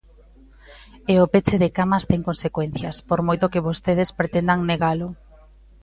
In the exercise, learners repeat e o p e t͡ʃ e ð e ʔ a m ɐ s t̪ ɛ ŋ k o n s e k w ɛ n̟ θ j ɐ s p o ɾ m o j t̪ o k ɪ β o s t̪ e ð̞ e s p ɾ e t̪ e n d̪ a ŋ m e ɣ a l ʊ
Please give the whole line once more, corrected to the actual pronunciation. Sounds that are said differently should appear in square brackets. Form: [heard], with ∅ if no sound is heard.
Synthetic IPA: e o p e t͡ʃ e ð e [k] a m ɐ s t̪ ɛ ŋ k o n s e k w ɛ n̟ θ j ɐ s p o ɾ m o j t̪ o k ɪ β o s t̪ e ð̞ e s p ɾ e t̪ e n d̪ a ŋ [n] e ɣ a l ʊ